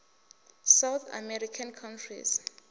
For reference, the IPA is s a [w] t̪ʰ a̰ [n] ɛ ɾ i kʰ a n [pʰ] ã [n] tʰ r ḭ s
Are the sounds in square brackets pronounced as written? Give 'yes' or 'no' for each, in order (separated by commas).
yes, no, no, yes